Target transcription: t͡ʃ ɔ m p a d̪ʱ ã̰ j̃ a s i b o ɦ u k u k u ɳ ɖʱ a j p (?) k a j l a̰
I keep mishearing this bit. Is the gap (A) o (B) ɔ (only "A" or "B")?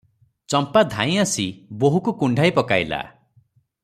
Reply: B